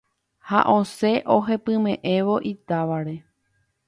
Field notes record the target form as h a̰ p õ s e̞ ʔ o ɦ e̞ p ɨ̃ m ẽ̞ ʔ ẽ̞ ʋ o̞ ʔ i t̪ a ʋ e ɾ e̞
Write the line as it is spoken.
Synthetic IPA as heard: h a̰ ʔ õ s e̞ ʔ o ɦ e̞ p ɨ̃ m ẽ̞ ʔ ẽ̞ ʋ o̞ ʔ i t̪ a ʋ a ɾ e̞